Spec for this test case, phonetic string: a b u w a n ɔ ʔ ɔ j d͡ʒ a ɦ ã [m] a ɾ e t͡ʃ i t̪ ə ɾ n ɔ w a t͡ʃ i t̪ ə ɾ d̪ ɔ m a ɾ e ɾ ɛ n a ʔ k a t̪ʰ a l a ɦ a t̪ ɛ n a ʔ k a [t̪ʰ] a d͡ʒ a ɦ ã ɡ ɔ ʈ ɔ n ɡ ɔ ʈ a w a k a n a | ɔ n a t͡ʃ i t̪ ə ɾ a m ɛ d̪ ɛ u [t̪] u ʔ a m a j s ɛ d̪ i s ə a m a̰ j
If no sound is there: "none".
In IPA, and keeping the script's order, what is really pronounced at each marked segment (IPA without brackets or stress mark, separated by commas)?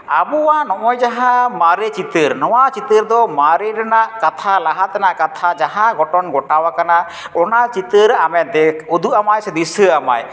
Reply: m, t̪ʰ, d̪